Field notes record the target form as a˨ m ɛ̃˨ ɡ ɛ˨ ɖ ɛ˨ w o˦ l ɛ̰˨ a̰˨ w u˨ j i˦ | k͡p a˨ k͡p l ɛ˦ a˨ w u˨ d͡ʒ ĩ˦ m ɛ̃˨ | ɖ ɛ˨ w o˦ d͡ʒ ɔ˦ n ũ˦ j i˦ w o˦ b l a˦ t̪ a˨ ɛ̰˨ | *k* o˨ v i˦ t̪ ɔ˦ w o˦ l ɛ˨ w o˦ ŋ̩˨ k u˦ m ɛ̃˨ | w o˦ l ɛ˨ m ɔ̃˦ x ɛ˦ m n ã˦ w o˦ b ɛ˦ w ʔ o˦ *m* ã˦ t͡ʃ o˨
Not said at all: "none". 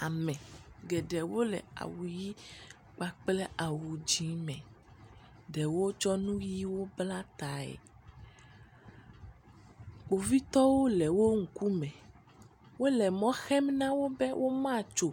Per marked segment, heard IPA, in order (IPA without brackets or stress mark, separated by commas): k͡p, m